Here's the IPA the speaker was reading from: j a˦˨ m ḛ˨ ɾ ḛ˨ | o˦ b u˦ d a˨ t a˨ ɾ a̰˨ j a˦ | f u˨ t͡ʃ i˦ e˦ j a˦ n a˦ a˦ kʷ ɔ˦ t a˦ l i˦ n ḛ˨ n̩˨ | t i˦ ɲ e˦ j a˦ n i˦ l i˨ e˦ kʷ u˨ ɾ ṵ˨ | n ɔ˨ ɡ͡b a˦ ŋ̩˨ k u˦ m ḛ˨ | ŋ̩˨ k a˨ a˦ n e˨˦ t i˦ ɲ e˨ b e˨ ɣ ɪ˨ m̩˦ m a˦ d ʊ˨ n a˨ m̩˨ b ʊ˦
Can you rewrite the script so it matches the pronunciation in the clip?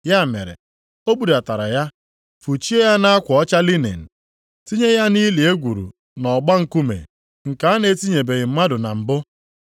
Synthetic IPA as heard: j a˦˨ m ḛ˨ ɾ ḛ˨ | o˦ b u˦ d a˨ t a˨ ɾ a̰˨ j a˦ | f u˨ t͡ʃ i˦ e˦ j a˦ n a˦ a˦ kʷ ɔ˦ t͡ʃ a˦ l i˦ n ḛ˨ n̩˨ | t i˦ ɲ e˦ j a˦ n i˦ l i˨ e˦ ɡʷ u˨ ɾ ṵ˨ | n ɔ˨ ɡ͡b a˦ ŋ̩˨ k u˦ m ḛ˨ | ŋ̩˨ k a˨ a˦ n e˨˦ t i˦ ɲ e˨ b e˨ ɣ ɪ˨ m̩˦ m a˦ d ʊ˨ n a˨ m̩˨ b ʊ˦